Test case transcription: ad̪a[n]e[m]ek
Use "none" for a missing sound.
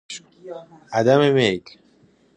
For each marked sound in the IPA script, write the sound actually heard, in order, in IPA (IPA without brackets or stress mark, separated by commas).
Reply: m, m